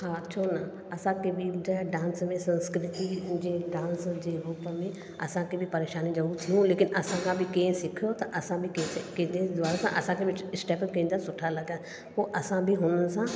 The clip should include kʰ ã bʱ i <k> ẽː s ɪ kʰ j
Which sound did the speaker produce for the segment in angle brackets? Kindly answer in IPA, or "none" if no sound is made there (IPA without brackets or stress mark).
k